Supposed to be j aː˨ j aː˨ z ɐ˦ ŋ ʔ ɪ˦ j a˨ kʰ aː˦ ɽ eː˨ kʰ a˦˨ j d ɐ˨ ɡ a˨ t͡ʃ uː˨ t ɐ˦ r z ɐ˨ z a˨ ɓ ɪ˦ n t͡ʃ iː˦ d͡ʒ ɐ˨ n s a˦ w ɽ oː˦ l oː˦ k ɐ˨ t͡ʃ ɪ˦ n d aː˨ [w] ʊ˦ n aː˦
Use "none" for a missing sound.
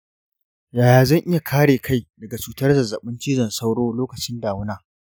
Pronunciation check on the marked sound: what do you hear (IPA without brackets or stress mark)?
w